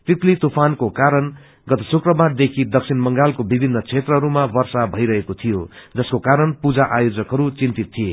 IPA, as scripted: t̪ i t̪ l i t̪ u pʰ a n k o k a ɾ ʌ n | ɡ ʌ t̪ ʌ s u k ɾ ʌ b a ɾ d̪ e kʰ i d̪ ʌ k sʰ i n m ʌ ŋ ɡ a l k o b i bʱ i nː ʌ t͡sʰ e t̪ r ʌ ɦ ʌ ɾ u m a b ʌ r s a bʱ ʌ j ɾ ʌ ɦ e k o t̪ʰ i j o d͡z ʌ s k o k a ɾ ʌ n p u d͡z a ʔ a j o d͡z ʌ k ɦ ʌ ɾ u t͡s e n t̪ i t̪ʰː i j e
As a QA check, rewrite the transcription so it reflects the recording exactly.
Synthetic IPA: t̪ i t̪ l i t̪ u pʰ a n k o k a ɾ ʌ n | ɡ ʌ t̪ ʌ s u k r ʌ b a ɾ d̪ e kʰ i d̪ ʌ k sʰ i n m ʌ ŋ ɡ a l k o b i bʱ i nː ʌ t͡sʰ e t̪ r ʌ ɦ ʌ ɾ u m a b ʌ r s a bʱ ʌ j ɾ ʌ ɦ e k o t̪ʰ i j o d͡z ʌ s k o k a ɾ ʌ n p u d͡z a ʔ a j o d͡z ʌ k ɦ ʌ ɾ u t͡s i n t̪ i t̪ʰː i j e